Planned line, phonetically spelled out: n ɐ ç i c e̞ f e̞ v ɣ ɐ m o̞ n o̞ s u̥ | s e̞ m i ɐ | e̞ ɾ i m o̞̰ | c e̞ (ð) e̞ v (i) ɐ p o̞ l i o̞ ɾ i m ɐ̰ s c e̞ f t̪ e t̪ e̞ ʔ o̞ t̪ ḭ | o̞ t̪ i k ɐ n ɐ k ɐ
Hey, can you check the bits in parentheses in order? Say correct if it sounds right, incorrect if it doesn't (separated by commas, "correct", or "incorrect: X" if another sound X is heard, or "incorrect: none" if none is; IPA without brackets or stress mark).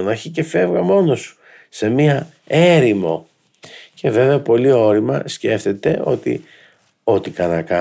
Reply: incorrect: v, incorrect: e